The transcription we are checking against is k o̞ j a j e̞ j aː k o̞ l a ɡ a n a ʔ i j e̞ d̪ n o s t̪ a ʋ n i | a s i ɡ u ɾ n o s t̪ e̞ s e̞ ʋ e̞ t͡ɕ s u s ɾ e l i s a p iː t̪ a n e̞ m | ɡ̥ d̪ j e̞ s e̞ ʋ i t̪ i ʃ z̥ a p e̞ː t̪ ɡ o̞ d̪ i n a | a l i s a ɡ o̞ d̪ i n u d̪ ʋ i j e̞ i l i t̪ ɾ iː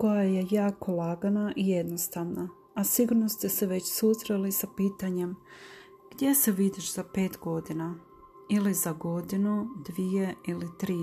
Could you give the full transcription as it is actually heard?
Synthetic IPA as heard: k o̞ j a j e̞ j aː k o̞ l a ɡ a n a ʔ i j e̞ d̪ n o s t̪ a ʋ n a | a s i ɡ u ɾ n o s t̪ e̞ s e̞ ʋ e̞ t͡ɕ s u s ɾ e l i s a p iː t̪ a ɲ e̞ m | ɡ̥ d̪ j e̞ s e̞ ʋ i d̪ i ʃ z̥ a p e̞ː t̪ ɡ o̞ d̪ i n a | i l i z a ɡ o̞ d̪ i n u d̪ ʋ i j e̞ i l i t̪ ɾ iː